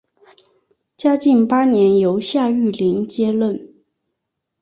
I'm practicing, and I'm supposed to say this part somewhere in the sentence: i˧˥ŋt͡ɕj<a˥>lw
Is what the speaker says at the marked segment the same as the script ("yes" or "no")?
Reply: no